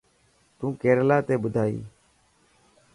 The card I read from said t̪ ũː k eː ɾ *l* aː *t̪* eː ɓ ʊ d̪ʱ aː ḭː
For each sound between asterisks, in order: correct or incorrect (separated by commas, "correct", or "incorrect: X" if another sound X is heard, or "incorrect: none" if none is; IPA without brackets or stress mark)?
correct, correct